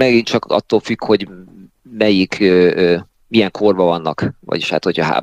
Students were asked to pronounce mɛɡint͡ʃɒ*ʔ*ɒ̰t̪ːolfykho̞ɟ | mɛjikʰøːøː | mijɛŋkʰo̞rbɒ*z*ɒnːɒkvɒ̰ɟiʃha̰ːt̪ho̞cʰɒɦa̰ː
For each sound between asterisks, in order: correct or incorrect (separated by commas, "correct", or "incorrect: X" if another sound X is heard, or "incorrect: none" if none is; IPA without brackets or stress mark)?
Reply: incorrect: k, incorrect: v